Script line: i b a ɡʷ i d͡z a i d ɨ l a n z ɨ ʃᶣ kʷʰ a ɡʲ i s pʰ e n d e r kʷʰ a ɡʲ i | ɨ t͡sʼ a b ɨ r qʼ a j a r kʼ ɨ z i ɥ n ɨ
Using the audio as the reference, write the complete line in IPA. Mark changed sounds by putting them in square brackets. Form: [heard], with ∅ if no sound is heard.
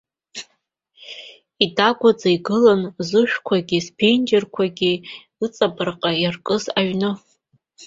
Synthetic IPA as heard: i [d] a ɡʷ [a] d͡z a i [ɡ] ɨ l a n z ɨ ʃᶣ kʷʰ a ɡʲ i s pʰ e n [d͡ʒ] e r kʷʰ a ɡʲ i | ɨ t͡sʼ a b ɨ r qʼ a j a r kʼ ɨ z [a] ɥ n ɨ